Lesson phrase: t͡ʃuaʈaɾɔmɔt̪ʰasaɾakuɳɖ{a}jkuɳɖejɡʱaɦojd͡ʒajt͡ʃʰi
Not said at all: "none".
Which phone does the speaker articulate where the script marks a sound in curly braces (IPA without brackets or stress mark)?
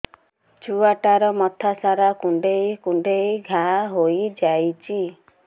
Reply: e